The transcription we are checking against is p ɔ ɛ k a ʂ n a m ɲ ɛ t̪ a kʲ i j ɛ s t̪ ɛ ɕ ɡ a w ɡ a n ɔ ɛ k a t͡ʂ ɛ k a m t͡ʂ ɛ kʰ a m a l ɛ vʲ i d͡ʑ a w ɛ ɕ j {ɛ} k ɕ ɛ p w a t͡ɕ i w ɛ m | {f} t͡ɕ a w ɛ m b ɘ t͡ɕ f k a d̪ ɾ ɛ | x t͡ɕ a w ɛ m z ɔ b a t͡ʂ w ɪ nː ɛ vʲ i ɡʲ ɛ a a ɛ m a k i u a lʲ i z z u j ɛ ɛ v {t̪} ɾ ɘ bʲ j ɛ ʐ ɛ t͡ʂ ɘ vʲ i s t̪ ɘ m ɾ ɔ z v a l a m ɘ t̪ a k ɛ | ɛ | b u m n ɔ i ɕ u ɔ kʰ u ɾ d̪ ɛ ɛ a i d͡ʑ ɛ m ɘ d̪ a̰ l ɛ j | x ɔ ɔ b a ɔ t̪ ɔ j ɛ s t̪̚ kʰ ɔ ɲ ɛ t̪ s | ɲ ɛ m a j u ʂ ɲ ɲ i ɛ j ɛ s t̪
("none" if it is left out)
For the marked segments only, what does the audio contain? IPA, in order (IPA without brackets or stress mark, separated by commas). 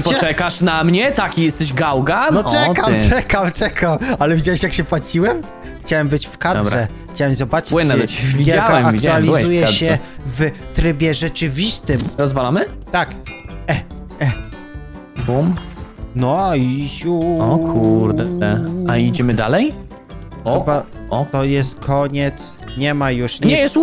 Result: a, x, t̪